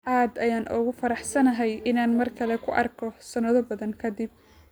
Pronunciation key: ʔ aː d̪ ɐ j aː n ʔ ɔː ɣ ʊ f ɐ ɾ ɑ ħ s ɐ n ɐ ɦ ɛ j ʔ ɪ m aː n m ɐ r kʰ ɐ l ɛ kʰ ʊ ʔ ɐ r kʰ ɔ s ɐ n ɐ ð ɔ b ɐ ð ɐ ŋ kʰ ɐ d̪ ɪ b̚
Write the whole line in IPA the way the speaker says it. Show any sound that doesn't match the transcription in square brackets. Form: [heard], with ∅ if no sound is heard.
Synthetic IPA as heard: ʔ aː d̪ ɐ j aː n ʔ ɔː ɣ ʊ f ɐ ɾ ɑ ħ s ɐ n ɐ ɦ ɛ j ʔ ɪ [n] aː n m ɐ r kʰ ɐ l ɛ kʰ ʊ ʔ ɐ r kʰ ɔ s ɐ n ɐ ð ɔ b ɐ ð ɐ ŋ kʰ ɐ d̪ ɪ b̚